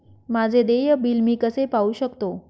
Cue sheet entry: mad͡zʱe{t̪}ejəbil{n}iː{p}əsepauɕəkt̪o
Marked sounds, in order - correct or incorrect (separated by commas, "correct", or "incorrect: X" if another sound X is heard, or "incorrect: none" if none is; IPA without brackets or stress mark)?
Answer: incorrect: d̪, incorrect: m, incorrect: k